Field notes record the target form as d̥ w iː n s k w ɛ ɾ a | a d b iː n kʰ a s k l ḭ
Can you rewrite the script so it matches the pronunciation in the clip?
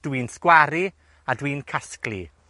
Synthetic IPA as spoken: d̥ w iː n s k w a ɾ i | a d w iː n kʰ a s k l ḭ